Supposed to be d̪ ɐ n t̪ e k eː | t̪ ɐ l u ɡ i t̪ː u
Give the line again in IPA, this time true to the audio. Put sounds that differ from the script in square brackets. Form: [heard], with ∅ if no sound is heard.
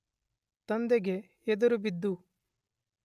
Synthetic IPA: [t̪] ɐ n [d̪] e [ɡ] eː | [d̪] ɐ [ɾ] u [b] i [d̪ː] u

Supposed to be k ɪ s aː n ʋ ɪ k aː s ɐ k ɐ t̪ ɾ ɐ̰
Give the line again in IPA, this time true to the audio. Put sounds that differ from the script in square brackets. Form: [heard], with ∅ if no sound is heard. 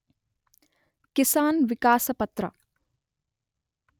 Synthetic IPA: k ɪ s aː n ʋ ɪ k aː s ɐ [p] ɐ t̪ ɾ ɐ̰

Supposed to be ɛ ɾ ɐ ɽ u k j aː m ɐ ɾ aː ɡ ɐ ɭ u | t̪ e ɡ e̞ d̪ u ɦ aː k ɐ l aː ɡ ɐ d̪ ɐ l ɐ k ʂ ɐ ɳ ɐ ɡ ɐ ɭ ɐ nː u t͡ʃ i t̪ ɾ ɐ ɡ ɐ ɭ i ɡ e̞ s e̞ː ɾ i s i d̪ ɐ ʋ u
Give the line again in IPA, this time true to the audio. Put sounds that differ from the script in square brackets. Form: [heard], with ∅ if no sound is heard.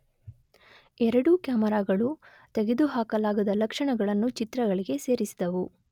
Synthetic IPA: ɛ ɾ ɐ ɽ u k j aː m ɐ ɾ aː ɡ ɐ ɭ u | t̪ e ɡ e̞ d̪ u ɦ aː k ɐ l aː ɡ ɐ d̪ ɐ l ɐ k ʂ ɐ ɳ ɐ ɡ ɐ ɭ ɐ nː u t͡ʃ i t̪ ɾ ɐ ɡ ɐ ɭ i ɡ e̞ s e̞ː ɾ i s i d̪ ɐ ʋ u

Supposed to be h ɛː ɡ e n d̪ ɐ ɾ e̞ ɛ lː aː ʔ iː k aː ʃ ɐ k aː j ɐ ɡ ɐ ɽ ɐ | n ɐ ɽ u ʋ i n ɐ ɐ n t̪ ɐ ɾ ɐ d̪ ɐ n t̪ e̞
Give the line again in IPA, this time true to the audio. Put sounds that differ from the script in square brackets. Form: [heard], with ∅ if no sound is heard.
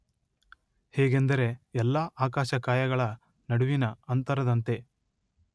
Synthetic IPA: h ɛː ɡ e n d̪ ɐ ɾ e̞ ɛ lː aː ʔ [aː] k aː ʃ ɐ k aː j ɐ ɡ ɐ [ɭ] ɐ | n ɐ ɽ u ʋ i n ɐ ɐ n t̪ ɐ ɾ ɐ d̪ ɐ n t̪ e̞

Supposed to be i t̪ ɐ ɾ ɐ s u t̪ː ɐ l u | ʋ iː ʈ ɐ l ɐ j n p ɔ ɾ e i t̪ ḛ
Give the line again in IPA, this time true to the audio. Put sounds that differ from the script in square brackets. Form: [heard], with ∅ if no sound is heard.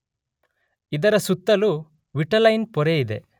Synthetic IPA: i [d̪] ɐ ɾ ɐ s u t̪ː ɐ l u | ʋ [i] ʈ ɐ l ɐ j n p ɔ ɾ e i [d̪] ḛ

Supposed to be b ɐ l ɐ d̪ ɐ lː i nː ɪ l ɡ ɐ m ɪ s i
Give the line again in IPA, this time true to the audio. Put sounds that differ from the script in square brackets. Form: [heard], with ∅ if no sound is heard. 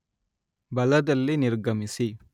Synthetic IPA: b ɐ l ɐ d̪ ɐ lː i [n] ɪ [ɾ] ɡ ɐ m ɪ s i

